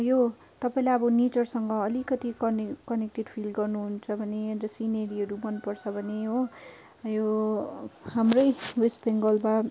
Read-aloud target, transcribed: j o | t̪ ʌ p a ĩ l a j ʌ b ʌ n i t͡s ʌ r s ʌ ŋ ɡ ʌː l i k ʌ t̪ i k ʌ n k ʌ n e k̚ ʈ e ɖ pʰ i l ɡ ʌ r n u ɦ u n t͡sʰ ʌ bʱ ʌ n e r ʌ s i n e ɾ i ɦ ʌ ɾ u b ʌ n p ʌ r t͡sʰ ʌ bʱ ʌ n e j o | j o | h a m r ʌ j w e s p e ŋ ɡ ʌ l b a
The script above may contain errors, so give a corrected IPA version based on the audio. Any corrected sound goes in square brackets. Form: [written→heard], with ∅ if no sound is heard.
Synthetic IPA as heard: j o | t̪ ʌ p a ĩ l a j ʌ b ʌ n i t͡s ʌ r s ʌ ŋ ɡ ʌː l i k ʌ t̪ i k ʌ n k ʌ n e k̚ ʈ e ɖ pʰ i l ɡ ʌ r n u ɦ u n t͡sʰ ʌ bʱ ʌ n e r ʌ s i n e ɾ i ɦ ʌ ɾ u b ʌ n p ʌ r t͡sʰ ʌ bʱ ʌ n e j o | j o | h a m r ʌ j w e s p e ŋ ɡ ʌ l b a